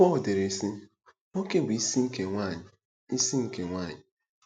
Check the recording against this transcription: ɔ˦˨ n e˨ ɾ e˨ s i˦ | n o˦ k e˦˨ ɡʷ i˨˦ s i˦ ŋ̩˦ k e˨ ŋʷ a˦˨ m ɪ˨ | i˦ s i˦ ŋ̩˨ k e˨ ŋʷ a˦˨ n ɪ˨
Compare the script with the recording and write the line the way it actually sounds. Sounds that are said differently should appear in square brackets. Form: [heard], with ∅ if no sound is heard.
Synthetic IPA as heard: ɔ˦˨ [d] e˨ ɾ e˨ s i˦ | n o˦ k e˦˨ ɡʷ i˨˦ s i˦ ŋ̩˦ k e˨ ŋʷ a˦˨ [ɲ] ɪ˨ | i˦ s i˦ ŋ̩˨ k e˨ ŋʷ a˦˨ [ɲ] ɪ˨